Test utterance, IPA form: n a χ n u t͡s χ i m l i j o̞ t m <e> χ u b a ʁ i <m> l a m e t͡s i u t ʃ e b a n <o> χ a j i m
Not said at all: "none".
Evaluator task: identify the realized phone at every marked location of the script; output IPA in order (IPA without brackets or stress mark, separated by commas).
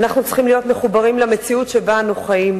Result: e, m, u